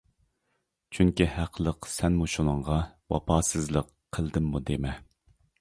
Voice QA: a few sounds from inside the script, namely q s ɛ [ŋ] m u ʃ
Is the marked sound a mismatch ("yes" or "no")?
yes